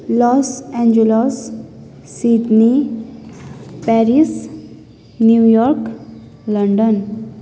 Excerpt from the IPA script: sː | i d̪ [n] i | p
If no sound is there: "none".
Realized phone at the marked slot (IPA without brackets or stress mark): n